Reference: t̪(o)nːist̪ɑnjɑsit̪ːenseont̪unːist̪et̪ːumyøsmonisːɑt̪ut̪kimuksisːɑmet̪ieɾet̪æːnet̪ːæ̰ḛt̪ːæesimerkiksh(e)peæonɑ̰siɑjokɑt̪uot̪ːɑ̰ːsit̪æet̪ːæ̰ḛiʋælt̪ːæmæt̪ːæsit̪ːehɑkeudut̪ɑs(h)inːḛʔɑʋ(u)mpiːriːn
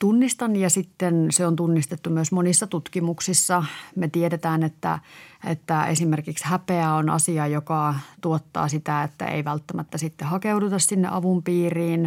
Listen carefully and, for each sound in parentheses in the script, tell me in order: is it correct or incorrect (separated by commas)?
incorrect, incorrect, incorrect, correct